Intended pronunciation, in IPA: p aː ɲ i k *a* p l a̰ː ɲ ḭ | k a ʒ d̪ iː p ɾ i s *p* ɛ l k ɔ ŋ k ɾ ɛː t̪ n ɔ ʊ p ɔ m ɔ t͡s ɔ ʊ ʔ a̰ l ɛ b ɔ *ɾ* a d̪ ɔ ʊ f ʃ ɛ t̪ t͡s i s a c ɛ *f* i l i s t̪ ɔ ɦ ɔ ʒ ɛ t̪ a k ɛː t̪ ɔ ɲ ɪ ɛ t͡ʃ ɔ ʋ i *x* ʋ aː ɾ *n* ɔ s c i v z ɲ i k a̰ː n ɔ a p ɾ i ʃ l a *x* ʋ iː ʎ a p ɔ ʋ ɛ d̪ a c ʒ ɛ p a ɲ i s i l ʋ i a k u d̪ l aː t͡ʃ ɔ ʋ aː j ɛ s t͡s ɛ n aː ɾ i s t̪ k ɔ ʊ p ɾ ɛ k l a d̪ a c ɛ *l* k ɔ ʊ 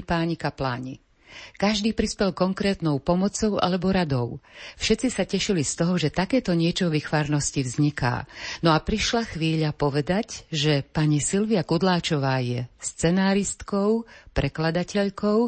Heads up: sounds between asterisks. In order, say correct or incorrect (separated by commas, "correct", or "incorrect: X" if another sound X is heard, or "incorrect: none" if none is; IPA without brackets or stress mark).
correct, correct, correct, incorrect: ʃ, correct, correct, correct, incorrect: ʎ